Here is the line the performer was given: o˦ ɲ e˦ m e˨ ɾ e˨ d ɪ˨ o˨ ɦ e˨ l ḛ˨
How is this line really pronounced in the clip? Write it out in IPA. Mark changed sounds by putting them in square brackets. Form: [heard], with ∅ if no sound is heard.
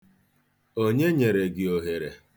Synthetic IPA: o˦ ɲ e˦ [ɲ] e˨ ɾ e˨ [ɡ] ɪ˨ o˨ ɦ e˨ [ɾ] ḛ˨